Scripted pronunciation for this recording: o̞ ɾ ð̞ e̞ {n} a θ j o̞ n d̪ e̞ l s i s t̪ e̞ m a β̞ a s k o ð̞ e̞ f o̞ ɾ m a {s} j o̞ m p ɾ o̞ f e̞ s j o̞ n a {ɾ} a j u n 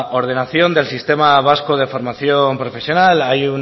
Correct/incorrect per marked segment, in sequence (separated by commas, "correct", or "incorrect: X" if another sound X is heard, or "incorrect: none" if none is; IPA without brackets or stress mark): correct, incorrect: θ, incorrect: l